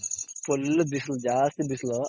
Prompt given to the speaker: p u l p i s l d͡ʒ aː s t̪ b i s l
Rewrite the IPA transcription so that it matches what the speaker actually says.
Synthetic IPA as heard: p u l b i s l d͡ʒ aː s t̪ b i s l